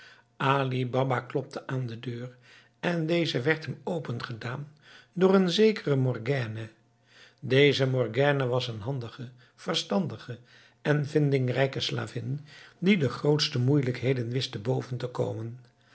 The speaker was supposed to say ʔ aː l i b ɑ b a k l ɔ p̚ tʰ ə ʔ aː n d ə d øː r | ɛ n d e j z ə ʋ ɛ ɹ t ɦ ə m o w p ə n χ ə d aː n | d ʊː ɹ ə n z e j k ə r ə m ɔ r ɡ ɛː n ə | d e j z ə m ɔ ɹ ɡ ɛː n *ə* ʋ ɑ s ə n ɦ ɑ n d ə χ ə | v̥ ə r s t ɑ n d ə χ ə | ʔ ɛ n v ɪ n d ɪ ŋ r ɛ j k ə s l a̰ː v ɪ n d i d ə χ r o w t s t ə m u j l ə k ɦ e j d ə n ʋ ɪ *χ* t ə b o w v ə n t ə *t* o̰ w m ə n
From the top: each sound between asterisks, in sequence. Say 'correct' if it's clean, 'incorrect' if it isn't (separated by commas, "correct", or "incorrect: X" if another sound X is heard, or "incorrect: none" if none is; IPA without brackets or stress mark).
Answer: correct, incorrect: s, incorrect: k